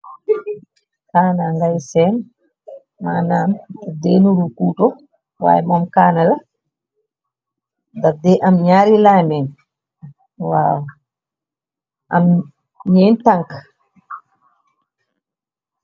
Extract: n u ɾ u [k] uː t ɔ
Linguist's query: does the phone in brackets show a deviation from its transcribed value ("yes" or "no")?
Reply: no